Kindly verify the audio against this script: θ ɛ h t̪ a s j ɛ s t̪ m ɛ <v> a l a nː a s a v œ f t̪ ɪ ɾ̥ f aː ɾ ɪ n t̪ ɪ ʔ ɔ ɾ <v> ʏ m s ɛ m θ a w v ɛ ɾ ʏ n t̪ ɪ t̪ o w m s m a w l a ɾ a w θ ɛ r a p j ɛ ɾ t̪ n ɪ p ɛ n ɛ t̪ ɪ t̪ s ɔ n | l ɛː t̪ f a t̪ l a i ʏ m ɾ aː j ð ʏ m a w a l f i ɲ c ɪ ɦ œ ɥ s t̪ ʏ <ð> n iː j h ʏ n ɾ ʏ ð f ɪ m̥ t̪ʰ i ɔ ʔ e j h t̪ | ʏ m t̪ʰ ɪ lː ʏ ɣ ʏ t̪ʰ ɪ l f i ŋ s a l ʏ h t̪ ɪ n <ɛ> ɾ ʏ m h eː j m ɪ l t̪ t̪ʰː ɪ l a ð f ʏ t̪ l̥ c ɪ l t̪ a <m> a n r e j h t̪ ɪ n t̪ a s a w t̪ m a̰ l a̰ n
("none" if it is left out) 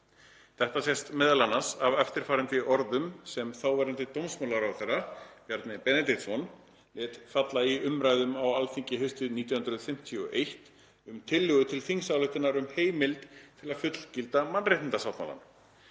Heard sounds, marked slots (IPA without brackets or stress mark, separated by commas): ð, ð, ð, a, m